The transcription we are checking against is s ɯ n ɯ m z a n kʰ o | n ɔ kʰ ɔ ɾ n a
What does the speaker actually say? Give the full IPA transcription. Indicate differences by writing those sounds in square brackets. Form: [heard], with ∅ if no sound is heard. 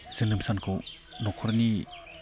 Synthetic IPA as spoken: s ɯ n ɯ m [s] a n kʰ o | n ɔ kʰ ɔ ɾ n [i]